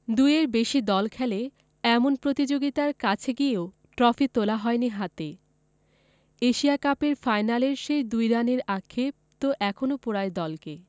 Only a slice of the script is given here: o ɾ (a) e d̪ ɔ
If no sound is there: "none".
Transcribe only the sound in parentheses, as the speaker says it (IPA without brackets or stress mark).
a